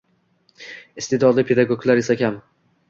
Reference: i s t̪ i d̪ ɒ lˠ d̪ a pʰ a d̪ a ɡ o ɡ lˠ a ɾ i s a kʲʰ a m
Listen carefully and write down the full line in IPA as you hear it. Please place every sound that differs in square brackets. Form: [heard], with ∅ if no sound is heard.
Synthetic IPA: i s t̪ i d̪ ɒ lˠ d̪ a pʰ [e] d̪ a ɡ o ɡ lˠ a ɾ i s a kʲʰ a m